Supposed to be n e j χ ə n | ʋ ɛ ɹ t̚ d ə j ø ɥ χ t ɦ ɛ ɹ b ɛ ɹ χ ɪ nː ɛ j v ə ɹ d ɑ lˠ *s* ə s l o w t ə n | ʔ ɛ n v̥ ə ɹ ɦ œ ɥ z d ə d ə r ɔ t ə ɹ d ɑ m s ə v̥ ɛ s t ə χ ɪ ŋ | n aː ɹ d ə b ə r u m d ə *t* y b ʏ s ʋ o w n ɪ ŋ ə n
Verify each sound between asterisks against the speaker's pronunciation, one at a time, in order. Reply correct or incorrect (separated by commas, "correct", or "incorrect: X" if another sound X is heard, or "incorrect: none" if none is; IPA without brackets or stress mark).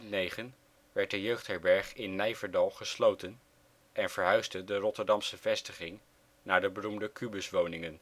incorrect: χ, incorrect: k